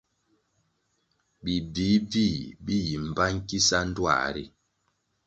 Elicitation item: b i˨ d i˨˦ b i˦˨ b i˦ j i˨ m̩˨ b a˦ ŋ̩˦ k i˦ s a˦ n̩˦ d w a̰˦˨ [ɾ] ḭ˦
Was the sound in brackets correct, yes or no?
yes